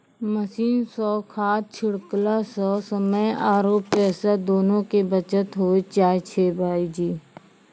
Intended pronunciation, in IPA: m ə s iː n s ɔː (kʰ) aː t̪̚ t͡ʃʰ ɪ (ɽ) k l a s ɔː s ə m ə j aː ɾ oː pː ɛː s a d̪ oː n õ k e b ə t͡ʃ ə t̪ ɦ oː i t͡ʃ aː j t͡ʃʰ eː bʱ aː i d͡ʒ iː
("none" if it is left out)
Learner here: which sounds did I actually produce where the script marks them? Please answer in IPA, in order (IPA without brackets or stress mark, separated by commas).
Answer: kʰ, ɽ